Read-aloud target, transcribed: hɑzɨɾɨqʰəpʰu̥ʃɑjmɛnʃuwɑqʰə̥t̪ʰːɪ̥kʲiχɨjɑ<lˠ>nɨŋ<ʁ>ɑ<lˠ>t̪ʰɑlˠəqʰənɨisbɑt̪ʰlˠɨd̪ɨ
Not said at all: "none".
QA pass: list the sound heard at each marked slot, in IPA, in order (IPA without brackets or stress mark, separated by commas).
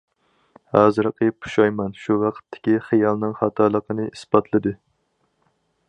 lˠ, χ, none